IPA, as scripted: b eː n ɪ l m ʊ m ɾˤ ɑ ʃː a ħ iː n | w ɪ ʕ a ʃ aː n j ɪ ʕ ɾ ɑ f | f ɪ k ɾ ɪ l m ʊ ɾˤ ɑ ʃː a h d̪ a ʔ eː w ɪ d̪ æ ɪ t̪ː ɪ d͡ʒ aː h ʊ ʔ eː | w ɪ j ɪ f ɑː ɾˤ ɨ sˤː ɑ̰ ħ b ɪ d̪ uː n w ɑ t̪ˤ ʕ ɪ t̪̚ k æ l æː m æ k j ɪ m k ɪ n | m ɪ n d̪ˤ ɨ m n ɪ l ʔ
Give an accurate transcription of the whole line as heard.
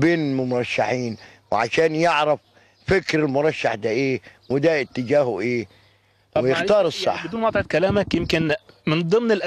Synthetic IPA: b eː n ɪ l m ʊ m ɾˤ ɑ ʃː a ħ iː n | w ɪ ʕ a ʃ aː n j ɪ ʕ ɾ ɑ f | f ɪ k ɾ ɪ l m ʊ ɾˤ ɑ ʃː a ħ d̪ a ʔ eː w ɪ d̪ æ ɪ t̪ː ɪ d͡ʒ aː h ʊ ʔ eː | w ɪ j ɪ x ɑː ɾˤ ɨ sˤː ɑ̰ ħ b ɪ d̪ uː n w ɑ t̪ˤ ʕ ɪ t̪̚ k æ l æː m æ k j ɪ m k ɪ n | m ɪ n d̪ˤ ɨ m n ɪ l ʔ